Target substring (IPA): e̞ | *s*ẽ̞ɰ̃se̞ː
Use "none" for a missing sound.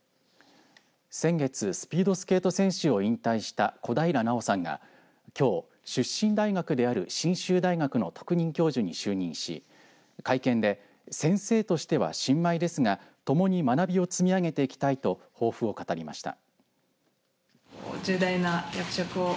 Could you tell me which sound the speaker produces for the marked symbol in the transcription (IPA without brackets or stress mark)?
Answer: s